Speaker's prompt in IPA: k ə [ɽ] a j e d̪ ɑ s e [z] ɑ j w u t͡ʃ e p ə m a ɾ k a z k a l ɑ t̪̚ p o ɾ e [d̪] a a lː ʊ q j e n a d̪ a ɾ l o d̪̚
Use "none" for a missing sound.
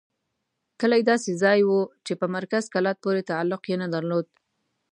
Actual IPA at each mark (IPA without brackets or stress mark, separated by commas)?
l, z, t̪